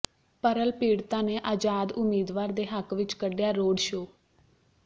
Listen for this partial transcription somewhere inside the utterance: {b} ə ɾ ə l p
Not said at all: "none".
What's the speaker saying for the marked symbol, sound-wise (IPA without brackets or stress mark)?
p